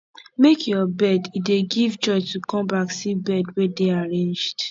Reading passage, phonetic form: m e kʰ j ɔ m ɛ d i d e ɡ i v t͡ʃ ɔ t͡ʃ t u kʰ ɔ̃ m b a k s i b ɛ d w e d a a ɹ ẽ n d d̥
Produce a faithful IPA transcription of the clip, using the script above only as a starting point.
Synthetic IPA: m e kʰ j ɔ b ɛ d i d e ɡ i v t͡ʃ ɔ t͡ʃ t u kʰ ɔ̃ m b a k s i b ɛ d w e d e a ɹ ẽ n d͡ʒ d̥